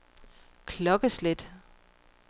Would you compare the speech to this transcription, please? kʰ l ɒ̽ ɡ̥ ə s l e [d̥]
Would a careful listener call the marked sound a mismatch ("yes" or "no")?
no